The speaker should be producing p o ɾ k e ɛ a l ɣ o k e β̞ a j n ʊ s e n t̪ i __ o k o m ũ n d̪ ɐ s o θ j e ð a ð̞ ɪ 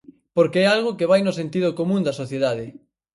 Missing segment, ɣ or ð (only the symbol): ð